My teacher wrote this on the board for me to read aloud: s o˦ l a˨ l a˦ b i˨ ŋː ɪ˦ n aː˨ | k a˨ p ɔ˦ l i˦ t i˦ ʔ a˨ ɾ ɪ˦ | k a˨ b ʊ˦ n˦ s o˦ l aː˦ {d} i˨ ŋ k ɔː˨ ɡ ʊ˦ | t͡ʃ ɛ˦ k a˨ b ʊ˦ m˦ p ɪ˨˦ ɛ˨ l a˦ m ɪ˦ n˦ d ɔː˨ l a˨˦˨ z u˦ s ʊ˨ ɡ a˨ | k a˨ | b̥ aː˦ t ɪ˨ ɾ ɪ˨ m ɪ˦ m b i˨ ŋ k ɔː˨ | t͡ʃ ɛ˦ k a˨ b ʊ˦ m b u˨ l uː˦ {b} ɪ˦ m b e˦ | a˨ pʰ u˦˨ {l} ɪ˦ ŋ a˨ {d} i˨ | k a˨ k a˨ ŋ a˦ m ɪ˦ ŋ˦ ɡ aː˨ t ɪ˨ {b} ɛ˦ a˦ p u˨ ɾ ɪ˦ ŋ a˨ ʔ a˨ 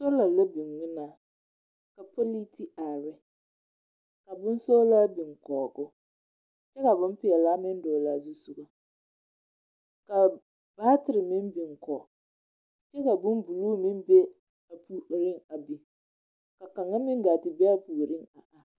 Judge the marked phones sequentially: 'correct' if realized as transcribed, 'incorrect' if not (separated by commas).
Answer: incorrect, incorrect, incorrect, incorrect, correct